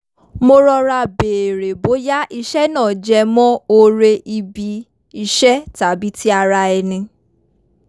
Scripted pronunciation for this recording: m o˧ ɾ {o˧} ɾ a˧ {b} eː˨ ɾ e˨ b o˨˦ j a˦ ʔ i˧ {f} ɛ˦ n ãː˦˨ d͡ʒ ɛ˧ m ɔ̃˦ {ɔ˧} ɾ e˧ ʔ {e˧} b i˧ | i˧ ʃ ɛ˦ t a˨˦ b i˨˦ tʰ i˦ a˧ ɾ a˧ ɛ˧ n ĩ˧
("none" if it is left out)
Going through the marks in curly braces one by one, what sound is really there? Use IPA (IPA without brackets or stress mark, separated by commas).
ɔ˧, b, ʃ, o˧, i˧